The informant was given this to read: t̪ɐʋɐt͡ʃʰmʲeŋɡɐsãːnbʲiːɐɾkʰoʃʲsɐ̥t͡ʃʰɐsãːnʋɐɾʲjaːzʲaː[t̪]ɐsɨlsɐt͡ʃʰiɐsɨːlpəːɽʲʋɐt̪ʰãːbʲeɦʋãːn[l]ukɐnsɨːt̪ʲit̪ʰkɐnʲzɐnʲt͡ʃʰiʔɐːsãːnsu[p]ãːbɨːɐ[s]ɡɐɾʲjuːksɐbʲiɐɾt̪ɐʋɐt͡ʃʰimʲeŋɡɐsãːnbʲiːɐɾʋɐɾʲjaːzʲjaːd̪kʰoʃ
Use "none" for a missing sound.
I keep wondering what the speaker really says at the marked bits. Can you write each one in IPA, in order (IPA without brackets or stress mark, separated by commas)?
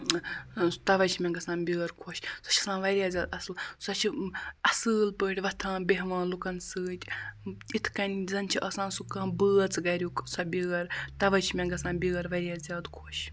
d̪, l, k, t͡s